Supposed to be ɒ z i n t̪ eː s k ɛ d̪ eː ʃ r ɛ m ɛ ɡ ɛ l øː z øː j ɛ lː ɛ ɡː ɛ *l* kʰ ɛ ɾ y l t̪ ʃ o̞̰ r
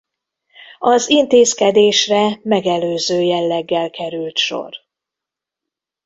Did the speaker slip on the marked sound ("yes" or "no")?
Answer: no